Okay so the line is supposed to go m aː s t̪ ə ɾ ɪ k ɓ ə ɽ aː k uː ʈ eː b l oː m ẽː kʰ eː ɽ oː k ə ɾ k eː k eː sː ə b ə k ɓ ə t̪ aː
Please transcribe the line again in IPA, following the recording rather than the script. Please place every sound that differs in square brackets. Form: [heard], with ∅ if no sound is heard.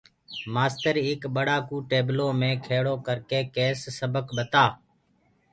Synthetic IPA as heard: m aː s t̪ ə ɾ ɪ k ɓ ə ɽ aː k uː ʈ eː b l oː m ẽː kʰ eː ɽ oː k ə ɾ k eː k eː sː ə b ə k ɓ ə t̪ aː